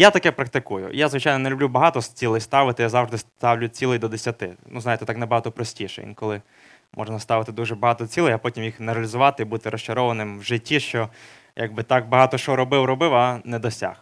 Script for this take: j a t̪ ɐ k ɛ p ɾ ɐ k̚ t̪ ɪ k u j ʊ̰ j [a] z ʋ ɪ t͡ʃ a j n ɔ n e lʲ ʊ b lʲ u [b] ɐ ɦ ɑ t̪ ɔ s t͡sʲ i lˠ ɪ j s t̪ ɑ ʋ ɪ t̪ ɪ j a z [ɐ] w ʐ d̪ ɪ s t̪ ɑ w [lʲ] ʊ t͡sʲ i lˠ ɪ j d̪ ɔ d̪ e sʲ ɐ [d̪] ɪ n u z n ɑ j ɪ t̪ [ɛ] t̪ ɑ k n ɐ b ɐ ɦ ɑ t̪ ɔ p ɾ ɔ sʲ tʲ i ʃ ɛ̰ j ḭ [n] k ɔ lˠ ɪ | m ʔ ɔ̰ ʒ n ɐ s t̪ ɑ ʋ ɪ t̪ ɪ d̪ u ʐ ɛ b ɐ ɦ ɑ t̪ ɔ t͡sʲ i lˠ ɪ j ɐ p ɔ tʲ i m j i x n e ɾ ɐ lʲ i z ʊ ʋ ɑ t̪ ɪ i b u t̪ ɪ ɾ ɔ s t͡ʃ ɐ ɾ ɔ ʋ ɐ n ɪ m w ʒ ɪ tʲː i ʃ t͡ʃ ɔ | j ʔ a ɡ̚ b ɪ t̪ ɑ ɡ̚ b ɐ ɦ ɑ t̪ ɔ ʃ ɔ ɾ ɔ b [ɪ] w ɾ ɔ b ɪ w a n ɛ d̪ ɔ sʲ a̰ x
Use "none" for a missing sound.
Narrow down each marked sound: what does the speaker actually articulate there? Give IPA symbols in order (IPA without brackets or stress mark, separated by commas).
a, b, ɑ, lʲ, t̪, ɛ, n, ɪ